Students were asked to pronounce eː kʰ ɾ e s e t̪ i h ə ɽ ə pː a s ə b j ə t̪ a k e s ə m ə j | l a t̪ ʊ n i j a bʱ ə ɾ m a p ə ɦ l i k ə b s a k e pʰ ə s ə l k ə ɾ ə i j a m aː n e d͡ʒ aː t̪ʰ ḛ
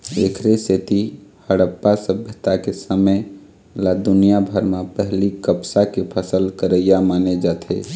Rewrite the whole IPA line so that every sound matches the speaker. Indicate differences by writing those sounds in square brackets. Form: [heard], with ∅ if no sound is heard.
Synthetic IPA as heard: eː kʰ ɾ e s e t̪ i h ə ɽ ə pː a s ə b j ə t̪ a k e s ə m ə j | l a [d̪] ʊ n i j a bʱ ə ɾ m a p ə ɦ l i k ə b s a k e pʰ ə s ə l k ə ɾ ə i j a m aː n e d͡ʒ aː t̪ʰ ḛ